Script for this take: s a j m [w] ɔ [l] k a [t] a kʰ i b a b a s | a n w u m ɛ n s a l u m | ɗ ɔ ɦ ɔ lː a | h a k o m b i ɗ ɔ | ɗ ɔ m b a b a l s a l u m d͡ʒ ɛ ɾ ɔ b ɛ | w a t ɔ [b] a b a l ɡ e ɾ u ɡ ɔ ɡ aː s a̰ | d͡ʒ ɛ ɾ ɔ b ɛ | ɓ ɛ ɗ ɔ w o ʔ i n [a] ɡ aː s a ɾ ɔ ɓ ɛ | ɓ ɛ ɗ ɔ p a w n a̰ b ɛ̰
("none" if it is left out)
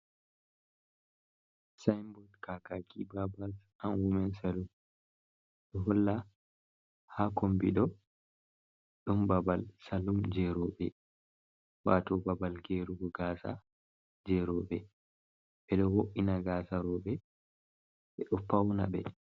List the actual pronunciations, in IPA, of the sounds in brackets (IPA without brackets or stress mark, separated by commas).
b, l, k, b, a